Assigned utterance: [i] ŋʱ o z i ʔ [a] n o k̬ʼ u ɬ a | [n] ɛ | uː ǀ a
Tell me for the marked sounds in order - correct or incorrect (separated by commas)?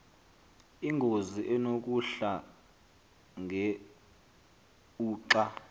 correct, incorrect, incorrect